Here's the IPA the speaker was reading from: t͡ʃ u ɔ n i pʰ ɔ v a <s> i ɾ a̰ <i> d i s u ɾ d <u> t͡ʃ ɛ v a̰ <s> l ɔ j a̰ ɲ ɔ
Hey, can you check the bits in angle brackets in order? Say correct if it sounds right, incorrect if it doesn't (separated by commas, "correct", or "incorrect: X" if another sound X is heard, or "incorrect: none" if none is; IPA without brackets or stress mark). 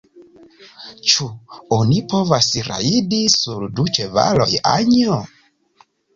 correct, correct, correct, incorrect: none